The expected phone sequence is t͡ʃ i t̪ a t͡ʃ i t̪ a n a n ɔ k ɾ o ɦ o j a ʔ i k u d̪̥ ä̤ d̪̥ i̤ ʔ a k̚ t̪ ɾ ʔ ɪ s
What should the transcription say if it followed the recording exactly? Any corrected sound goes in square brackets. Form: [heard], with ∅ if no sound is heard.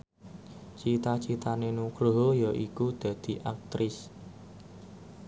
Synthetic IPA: t͡ʃ i t̪ a t͡ʃ i t̪ a n [e] n [u] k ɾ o ɦ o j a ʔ i k u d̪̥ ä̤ d̪̥ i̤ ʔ a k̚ t̪ ɾ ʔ ɪ s